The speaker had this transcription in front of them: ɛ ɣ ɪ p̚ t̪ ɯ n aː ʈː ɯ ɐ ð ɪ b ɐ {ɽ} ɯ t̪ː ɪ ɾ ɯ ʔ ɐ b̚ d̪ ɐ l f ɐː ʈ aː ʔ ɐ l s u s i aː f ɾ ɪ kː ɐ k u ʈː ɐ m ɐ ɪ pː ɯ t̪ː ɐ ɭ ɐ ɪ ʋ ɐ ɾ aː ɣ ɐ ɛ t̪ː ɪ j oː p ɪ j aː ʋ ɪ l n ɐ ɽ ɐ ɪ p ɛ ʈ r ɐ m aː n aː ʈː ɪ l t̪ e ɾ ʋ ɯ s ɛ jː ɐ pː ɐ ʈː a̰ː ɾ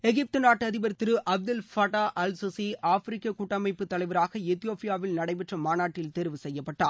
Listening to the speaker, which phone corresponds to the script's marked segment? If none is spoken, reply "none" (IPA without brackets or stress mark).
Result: ɾ